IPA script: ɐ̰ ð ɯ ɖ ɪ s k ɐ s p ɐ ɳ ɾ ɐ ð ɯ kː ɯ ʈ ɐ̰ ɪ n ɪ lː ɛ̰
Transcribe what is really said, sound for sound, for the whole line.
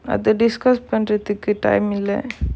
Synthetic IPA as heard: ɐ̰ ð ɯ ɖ ɪ s k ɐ s p ɐ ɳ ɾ ɐ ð ɯ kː ɯ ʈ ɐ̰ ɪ m ɪ lː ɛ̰